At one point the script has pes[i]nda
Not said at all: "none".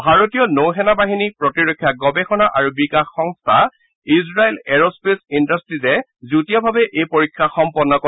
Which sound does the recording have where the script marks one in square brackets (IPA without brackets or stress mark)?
i